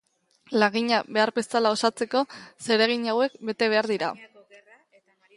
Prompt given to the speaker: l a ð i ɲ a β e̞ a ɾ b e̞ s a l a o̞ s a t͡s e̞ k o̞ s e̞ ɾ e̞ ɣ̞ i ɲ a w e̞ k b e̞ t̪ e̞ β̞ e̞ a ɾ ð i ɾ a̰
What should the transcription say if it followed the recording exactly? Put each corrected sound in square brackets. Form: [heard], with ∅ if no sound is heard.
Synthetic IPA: l a [ɣ] i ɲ a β e̞ a ɾ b e̞ s a l a o̞ s a t͡s e̞ k o̞ s e̞ ɾ e̞ ɣ̞ i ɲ a w e̞ k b e̞ t̪ e̞ β̞ e̞ a ɾ ð i ɾ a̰